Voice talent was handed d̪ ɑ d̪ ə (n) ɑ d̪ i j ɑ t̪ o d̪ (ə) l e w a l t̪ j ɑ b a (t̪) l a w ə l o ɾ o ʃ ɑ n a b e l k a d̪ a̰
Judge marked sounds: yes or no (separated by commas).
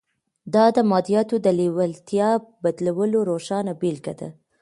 no, yes, no